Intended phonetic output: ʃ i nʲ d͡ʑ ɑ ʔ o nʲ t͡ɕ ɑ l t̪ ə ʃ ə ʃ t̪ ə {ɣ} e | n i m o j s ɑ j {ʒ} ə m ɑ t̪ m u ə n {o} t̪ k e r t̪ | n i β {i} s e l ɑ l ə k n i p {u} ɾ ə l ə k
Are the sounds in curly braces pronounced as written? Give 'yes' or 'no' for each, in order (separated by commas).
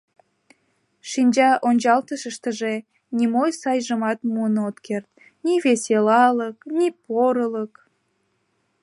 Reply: no, yes, yes, no, no